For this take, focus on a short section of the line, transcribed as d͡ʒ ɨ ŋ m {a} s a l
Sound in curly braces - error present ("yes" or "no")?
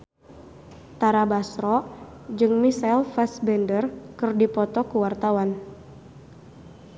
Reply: yes